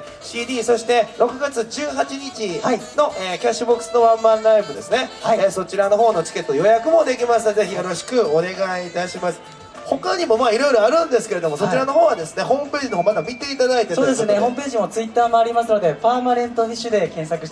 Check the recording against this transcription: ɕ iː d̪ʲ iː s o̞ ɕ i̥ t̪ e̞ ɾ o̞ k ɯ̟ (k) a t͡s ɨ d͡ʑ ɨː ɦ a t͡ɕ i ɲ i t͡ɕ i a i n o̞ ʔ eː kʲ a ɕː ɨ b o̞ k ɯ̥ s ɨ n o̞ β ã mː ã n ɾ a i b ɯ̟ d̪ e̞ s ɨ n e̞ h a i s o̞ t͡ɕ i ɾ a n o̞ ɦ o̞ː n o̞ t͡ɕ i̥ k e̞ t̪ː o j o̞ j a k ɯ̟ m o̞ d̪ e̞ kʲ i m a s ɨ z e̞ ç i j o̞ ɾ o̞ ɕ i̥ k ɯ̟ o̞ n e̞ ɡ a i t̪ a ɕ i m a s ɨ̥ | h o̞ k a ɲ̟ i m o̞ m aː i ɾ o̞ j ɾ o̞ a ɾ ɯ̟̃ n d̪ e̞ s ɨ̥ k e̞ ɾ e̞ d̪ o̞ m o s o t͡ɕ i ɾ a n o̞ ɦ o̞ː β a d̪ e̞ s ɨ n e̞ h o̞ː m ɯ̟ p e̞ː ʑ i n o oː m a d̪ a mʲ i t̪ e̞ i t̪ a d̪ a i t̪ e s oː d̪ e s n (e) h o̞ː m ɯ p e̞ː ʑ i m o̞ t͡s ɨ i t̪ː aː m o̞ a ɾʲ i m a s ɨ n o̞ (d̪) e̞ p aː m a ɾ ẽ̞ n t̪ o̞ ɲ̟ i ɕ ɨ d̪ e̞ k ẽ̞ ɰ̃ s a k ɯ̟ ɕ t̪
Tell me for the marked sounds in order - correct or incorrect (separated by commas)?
incorrect, correct, correct